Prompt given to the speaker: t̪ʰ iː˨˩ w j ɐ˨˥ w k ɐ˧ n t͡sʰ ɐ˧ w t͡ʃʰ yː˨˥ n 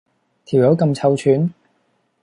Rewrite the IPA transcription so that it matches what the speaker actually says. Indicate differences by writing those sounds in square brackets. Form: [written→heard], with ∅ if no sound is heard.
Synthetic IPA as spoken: t̪ʰ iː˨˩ w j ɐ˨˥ w k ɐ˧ [n→m] t͡sʰ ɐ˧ w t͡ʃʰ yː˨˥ n